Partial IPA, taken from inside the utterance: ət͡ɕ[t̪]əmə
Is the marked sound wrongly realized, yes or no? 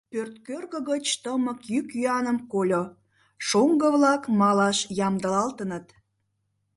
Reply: no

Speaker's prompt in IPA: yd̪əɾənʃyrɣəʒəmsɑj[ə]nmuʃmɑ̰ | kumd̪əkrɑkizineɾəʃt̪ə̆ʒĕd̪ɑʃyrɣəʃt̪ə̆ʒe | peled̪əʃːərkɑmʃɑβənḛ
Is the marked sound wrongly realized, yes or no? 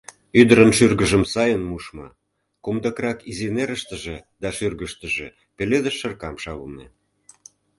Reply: no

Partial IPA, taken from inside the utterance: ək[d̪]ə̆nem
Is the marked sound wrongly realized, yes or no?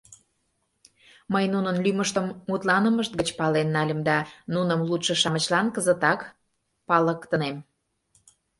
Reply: yes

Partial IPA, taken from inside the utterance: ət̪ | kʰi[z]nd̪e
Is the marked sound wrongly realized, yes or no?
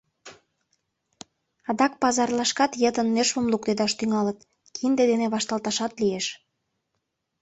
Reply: yes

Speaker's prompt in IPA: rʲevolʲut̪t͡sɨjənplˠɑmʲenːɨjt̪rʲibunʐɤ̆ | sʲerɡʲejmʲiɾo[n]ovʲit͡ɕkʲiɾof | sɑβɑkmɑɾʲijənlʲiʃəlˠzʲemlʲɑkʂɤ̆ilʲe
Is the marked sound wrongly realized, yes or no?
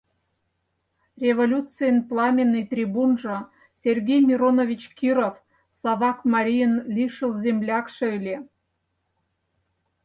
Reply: no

